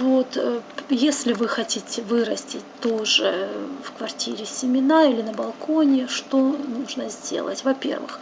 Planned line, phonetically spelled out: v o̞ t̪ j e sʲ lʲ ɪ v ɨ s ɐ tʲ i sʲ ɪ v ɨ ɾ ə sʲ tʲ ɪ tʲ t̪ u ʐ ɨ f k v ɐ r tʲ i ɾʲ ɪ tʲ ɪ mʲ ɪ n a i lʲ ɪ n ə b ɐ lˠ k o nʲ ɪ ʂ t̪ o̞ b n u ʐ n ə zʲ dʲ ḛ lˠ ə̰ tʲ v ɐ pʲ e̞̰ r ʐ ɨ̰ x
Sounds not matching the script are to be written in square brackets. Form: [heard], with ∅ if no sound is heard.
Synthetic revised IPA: v o̞ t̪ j e sʲ lʲ ɪ v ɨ [x] ɐ tʲ i [tʲ] ɪ v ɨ ɾ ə sʲ tʲ ɪ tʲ t̪ [o] ʐ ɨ f k v ɐ r tʲ i ɾʲ ɪ [sʲ] ɪ mʲ ɪ n a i lʲ ɪ n ə b ɐ lˠ k o nʲ ɪ ʂ t̪ o̞ [∅] n u ʐ n ə zʲ dʲ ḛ lˠ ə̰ tʲ v ɐ pʲ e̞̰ r [v] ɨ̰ x